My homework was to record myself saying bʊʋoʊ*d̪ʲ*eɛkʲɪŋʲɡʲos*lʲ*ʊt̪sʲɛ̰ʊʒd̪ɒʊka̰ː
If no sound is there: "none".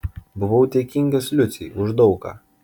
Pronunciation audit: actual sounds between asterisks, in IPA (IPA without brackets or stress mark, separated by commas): t̪ʲ, lʲ